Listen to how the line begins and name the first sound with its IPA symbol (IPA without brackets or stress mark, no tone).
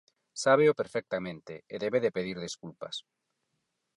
s